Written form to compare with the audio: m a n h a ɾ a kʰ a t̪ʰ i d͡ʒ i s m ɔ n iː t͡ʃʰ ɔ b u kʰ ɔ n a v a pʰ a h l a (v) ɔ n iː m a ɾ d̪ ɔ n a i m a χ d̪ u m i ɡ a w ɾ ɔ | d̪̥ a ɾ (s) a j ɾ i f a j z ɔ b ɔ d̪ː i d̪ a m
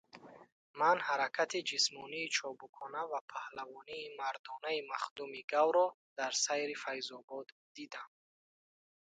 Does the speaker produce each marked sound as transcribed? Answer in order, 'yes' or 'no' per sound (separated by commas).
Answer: yes, yes